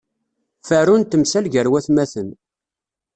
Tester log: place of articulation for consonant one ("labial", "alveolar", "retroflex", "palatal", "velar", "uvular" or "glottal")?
labial